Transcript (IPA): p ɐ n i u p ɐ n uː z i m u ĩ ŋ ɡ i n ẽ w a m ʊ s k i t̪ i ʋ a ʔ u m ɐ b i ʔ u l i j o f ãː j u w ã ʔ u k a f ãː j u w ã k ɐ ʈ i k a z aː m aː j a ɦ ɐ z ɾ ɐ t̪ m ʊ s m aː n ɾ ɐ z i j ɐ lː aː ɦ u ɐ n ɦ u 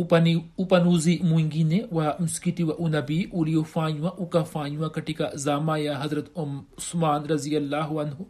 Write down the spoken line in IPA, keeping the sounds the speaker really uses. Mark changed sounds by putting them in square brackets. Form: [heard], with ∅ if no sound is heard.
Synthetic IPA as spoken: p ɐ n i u p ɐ n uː z i m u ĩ ŋ ɡ i n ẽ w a m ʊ s k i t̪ i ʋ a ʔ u [n] ɐ b i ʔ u l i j o f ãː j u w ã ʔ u k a f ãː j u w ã k ɐ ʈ i k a z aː m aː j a ɦ ɐ z ɾ ɐ t̪ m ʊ s m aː n ɾ ɐ z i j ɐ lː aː ɦ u ɐ n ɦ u